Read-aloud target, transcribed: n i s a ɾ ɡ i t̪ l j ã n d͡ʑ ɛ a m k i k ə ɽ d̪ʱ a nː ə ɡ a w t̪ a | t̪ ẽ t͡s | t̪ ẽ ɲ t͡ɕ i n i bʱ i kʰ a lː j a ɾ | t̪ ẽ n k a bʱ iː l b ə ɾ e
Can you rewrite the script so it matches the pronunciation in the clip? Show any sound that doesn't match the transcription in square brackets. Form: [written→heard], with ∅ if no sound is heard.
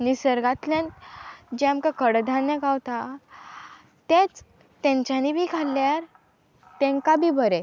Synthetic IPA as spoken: n i s [a→ə] ɾ ɡ [i→a] t̪ l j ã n d͡ʑ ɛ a m k [i→a] k ə ɽ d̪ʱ a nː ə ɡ a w t̪ a | t̪ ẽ t͡s | t̪ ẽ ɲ t͡ɕ [i→a] n i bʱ i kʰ a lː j a ɾ | t̪ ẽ [n→ŋ] k a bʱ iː [l→∅] b ə ɾ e